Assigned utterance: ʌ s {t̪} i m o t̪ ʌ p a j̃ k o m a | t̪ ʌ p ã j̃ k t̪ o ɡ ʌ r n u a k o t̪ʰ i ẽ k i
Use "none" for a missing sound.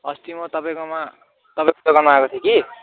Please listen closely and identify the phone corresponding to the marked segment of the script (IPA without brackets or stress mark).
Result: t̪